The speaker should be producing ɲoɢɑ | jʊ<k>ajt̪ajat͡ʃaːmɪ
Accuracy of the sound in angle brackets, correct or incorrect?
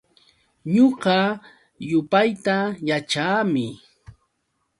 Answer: incorrect